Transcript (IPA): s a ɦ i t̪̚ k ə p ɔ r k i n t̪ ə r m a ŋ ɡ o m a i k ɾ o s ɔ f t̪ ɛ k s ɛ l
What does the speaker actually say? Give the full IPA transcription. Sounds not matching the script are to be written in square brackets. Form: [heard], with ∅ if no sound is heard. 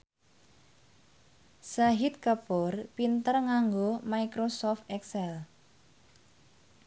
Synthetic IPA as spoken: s a ɦ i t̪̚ k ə p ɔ r [p] i n t̪ ə r [ŋ] a ŋ ɡ o m a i k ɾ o s ɔ f t̪ ɛ k s ɛ l

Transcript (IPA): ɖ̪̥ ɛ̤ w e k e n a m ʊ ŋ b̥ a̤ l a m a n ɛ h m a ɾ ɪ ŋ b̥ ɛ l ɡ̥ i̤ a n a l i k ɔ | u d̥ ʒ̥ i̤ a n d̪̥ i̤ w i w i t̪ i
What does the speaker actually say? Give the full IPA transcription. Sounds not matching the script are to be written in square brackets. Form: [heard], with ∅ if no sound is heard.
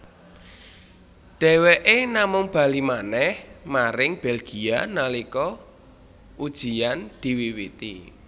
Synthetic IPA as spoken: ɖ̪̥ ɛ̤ w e [ʔ] e n a m ʊ ŋ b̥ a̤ l [i] m a n ɛ h m a ɾ ɪ ŋ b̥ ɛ l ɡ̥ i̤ a n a l i k ɔ | u d̥ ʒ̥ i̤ a n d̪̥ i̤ w i w i t̪ i

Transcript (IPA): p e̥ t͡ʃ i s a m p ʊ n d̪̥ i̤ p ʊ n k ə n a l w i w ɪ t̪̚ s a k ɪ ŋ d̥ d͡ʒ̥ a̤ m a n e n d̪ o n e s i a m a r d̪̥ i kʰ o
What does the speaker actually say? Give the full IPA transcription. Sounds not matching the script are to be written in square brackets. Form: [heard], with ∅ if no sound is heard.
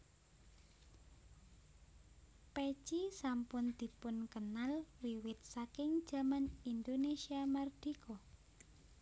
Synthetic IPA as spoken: p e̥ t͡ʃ i s a m p ʊ n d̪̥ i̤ p ʊ n k ə n a l w i w ɪ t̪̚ s a k ɪ ŋ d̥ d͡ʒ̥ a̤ m a n [i] n d̪ o n e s i a m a r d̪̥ i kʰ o

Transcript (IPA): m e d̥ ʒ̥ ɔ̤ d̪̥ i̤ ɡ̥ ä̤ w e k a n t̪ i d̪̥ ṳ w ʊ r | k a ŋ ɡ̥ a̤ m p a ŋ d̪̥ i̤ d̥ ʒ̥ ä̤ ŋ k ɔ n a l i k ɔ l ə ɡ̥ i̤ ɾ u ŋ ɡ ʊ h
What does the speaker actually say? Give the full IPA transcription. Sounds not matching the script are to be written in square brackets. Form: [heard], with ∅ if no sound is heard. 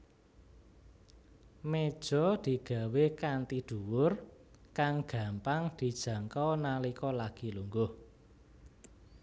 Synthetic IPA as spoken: m e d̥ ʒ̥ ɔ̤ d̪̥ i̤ ɡ̥ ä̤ w e k a n t̪ i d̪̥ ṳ w ʊ r | k a ŋ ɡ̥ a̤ m p a ŋ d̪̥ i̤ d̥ ʒ̥ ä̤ ŋ k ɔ n a l i k ɔ l [a] ɡ̥ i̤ [l] u ŋ ɡ ʊ h

